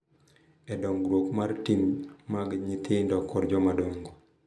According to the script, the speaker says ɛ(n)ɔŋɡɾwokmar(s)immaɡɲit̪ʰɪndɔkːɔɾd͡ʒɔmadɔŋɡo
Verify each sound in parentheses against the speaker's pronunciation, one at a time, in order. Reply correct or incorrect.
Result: incorrect, incorrect

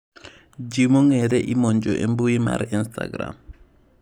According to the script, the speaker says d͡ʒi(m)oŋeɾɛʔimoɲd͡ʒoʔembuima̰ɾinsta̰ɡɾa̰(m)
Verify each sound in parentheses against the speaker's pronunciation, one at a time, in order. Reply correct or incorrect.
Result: correct, correct

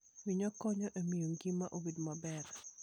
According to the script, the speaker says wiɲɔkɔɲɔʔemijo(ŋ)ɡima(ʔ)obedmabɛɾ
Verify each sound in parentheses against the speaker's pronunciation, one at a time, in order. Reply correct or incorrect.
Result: correct, correct

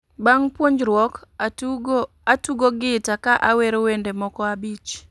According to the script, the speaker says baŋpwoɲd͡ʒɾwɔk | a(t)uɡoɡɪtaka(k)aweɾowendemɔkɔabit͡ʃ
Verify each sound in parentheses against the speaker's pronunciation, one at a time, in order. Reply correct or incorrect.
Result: correct, incorrect

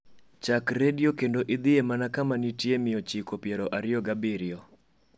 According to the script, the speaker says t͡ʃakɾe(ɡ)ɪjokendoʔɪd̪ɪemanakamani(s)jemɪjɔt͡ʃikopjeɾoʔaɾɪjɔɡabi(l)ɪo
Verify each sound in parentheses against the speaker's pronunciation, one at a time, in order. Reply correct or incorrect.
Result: incorrect, incorrect, incorrect

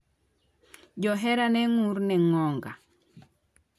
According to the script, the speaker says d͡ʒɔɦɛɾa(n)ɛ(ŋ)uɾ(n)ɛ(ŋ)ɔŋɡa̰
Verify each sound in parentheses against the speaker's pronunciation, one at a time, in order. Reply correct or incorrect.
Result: correct, correct, correct, correct

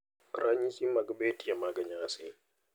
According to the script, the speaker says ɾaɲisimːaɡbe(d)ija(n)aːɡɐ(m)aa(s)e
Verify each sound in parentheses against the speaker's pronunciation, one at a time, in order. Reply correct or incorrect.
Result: incorrect, incorrect, incorrect, correct

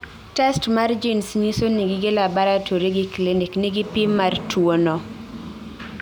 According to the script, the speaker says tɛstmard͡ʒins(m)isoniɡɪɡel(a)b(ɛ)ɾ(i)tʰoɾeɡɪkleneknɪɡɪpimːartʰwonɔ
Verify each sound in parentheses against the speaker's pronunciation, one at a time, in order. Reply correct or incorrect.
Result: incorrect, correct, incorrect, incorrect

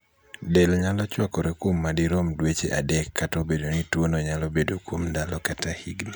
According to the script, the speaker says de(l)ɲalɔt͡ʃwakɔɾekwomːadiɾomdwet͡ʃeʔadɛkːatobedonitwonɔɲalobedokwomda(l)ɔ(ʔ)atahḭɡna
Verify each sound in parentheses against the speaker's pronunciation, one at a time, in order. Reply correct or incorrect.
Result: correct, correct, incorrect

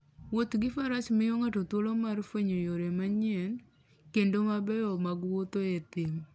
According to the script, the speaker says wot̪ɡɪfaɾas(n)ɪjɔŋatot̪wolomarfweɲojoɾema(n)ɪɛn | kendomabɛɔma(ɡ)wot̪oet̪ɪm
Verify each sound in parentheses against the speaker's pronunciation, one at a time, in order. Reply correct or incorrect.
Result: incorrect, incorrect, correct

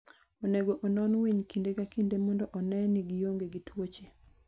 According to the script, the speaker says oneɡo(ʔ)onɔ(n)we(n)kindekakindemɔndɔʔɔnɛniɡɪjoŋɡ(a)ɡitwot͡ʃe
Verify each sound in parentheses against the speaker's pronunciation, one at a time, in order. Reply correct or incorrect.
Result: correct, correct, incorrect, incorrect

